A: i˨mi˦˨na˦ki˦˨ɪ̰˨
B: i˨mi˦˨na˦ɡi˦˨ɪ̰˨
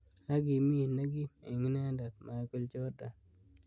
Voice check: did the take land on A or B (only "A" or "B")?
B